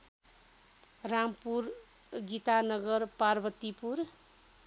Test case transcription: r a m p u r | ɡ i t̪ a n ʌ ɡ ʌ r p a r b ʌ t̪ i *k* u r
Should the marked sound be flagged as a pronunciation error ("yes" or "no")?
yes